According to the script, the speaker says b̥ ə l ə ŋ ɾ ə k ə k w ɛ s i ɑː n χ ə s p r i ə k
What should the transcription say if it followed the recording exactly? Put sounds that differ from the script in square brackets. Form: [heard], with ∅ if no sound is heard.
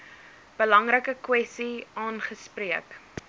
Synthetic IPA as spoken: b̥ ə l [ɐ] ŋ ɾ ə k ə k w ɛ s i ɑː n χ ə s p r i ə k